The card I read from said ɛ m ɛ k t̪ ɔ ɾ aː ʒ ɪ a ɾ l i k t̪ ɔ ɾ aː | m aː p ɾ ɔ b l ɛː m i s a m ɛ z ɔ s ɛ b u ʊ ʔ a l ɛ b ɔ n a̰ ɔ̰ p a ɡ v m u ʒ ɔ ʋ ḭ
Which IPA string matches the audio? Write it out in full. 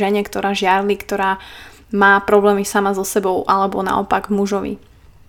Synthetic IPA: ɛ ɲ ɛ k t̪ ɔ ɾ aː ʒ ɪ a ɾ l i k t̪ ɔ ɾ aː | m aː p ɾ ɔ b l ɛː m i s a m a z ɔ s ɛ b ɔ ʊ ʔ a l ɛ b ɔ n a̰ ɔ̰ p a ɡ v m u ʒ ɔ ʋ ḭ